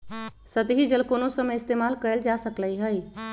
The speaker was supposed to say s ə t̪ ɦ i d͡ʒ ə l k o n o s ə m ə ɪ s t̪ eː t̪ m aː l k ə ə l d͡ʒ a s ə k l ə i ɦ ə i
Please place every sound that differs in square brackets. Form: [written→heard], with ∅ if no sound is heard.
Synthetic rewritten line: s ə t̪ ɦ i d͡ʒ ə l k o n o s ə m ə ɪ s t̪ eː [t̪→∅] m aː l k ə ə l d͡ʒ a s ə k l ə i ɦ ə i